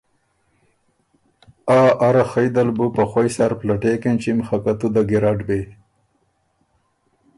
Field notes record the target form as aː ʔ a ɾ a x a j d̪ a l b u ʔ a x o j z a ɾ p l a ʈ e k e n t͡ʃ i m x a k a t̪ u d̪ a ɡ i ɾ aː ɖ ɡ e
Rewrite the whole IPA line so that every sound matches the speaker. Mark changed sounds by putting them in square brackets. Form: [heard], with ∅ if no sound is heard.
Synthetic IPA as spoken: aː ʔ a ɾ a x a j d̪ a l b u [p] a x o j [s] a ɾ p l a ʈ e k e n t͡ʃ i m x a k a t̪ u d̪ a ɡ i ɾ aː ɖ [b] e